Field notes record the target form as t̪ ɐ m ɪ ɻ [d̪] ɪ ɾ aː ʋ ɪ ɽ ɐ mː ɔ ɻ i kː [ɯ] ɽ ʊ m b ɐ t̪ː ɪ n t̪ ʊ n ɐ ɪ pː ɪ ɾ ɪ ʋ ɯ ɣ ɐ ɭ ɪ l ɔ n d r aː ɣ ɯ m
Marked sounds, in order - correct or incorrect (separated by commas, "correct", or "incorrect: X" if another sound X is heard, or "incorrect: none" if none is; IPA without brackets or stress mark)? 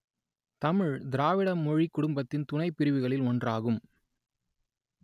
correct, incorrect: ʊ